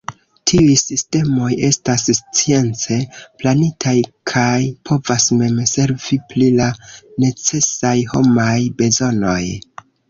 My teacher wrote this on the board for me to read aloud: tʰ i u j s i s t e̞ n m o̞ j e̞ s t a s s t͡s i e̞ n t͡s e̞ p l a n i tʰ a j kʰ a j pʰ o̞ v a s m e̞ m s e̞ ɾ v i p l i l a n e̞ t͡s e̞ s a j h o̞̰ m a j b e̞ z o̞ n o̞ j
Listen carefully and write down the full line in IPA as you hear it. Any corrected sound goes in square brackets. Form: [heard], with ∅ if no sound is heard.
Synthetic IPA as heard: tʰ i u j s i s t e̞ [∅] m o̞ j e̞ s t a s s t͡s i e̞ n t͡s e̞ p l a n i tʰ a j kʰ a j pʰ o̞ v a s m e̞ m s e̞ ɾ v i p l i l a n e̞ t͡s e̞ s a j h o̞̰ m a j b e̞ z o̞ n o̞ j

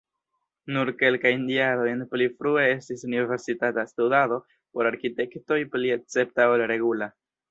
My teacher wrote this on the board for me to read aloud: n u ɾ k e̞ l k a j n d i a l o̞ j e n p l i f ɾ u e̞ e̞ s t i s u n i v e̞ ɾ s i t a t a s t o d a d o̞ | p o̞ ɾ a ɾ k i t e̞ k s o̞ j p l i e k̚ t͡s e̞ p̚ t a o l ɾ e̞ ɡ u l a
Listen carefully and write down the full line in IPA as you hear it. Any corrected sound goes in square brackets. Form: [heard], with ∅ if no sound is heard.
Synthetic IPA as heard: n u ɾ k e̞ l k a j n d i a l o̞ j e n p l i f ɾ u e̞ e̞ s t i s u n i v e̞ ɾ s i t a t a s t [u] d a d o̞ | p o̞ ɾ a ɾ k i t e̞ k [t] o̞ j p l i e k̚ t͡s e̞ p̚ t a o l ɾ e̞ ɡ u l a

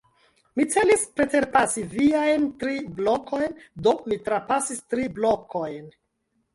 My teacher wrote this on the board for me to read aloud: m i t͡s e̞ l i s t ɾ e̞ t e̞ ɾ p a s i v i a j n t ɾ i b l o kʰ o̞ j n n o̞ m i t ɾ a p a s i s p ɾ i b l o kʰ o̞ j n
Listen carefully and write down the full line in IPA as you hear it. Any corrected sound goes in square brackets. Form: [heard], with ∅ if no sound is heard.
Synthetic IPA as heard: m i t͡s e̞ l i s [p] ɾ e̞ t e̞ ɾ p a s i v i a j n t ɾ i b l o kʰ o̞ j n [d] o̞ m i t ɾ a p a s i s [t] ɾ i b l o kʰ o̞ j n

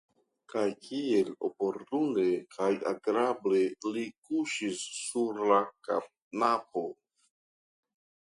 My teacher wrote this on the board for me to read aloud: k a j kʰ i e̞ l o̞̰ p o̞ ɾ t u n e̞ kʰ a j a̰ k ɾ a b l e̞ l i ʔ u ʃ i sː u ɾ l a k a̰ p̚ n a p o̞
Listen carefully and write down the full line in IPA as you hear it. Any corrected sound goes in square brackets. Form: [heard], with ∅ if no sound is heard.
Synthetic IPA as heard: k a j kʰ i e̞ l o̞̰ p o̞ ɾ t u n e̞ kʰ a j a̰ [ɡ] ɾ a b l e̞ l i [k] u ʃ i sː u ɾ l a k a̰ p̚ n a p o̞

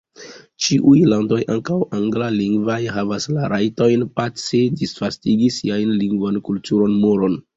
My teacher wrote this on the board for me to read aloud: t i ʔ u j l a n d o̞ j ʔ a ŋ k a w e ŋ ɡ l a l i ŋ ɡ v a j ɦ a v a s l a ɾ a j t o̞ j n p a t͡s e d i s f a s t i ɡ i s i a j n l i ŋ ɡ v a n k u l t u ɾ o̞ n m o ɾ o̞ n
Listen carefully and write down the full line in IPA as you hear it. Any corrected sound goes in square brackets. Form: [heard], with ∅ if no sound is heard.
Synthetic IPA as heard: [t͡ʃ] i ʔ u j l a n d o̞ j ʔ a ŋ k a w [a] ŋ ɡ l a l i ŋ ɡ v a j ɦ a v a s l a ɾ a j t o̞ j n p a t͡s e d i s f a s t i ɡ i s i a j n l i ŋ ɡ v a n k u l t u ɾ o̞ n m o ɾ o̞ n

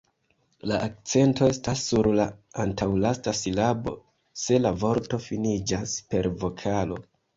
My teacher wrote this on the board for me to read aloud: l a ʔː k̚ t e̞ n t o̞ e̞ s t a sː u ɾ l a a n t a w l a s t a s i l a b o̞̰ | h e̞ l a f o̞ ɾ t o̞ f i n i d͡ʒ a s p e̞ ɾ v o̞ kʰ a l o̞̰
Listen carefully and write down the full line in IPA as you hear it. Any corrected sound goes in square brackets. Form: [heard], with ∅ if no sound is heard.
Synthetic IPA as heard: l a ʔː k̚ [t͡s] e̞ n t o̞ e̞ s t a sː u ɾ l a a n t a w l a s t a s i l a b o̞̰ | [s] e̞ l a [v] o̞ ɾ t o̞ f i n i d͡ʒ a s p e̞ ɾ v o̞ kʰ a l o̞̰

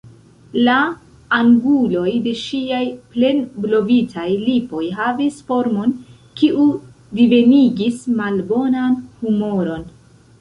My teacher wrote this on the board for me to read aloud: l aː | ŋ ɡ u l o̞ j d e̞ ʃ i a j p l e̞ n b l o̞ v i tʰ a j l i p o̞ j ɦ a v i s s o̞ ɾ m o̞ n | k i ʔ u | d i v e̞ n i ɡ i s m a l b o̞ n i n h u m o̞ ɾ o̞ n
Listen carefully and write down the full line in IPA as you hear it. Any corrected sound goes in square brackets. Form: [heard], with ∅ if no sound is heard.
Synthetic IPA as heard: l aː | ŋ ɡ u l o̞ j d e̞ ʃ i a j p l e̞ n b l o̞ v i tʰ a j l i p o̞ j ɦ a v i s [f] o̞ ɾ m o̞ n | k i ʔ u | d i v e̞ n i ɡ i s m a l b o̞ n [a] n h u m o̞ ɾ o̞ n

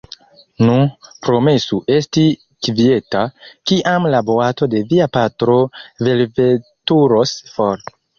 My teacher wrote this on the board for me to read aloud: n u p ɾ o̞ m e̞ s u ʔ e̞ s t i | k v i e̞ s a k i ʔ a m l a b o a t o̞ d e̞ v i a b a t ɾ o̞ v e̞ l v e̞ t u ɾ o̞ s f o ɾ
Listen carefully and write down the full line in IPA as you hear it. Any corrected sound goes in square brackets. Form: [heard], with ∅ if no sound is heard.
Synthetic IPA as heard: n u p ɾ o̞ m e̞ s u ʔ e̞ s t i | k v i e̞ [t] a k i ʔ a m l a b o a t o̞ d e̞ v i a [p] a t ɾ o̞ v e̞ l v e̞ t u ɾ o̞ s f o ɾ

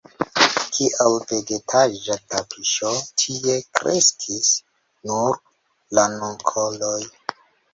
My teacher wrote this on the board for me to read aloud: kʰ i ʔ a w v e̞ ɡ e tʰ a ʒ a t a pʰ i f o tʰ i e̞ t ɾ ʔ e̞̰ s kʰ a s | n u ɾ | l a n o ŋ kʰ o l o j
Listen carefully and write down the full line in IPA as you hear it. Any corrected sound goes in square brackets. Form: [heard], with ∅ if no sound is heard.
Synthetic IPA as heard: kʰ i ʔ a w v e̞ ɡ e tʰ a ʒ a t a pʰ i [ʃ] o tʰ i e̞ [k] ɾ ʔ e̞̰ s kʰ [i] s | n u ɾ | l a n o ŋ kʰ o l o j

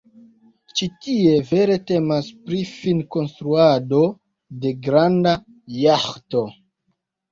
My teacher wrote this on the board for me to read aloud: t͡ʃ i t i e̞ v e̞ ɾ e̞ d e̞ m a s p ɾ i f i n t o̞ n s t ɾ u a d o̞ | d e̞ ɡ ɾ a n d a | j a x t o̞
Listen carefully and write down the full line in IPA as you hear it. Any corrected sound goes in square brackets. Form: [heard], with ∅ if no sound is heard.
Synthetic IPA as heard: t͡ʃ i t i e̞ v e̞ ɾ e̞ [t] e̞ m a s p ɾ i f i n [k] o̞ n s t ɾ u a d o̞ | d e̞ ɡ ɾ a n d a | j a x t o̞

